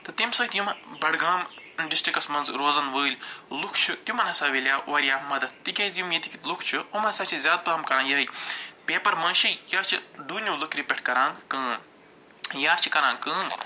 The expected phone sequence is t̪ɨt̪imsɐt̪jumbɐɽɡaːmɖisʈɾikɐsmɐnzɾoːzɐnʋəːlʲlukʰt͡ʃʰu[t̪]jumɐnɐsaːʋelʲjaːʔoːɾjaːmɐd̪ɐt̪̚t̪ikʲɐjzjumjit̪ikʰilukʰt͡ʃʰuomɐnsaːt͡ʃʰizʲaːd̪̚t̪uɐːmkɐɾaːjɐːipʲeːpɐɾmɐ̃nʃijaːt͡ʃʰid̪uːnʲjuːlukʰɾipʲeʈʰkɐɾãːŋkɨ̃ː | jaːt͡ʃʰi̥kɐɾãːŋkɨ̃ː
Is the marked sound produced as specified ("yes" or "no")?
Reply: yes